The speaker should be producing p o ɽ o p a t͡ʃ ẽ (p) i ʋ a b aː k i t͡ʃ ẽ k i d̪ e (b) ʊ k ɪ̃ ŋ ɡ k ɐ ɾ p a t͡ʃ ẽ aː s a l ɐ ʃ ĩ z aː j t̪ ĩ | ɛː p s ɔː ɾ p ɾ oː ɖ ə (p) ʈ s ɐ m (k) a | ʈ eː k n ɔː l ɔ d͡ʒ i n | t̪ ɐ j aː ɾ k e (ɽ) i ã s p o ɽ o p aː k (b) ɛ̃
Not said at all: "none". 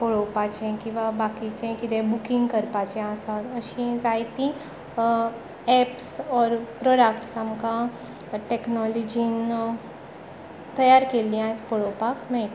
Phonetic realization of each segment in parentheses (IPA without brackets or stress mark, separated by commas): k, b, k, k, l, m